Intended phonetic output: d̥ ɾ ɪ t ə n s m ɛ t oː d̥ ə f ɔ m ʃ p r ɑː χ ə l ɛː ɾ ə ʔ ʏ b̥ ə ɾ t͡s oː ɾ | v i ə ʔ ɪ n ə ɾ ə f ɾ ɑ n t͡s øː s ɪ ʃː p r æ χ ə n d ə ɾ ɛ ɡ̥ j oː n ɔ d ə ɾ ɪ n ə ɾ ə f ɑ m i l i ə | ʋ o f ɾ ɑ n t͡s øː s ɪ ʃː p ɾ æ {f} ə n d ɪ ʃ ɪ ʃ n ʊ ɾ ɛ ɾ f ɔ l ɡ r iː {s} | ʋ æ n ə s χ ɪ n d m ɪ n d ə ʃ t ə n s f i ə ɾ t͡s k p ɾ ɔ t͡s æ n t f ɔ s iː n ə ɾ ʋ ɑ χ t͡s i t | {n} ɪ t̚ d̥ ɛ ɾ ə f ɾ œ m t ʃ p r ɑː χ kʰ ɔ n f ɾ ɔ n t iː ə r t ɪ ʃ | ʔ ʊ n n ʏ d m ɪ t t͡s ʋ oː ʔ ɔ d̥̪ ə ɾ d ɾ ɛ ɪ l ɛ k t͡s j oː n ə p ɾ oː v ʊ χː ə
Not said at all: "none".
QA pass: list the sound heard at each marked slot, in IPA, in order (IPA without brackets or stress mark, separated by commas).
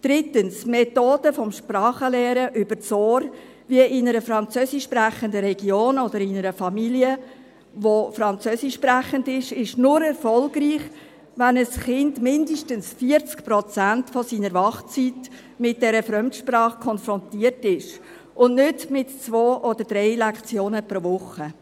χ, χ, m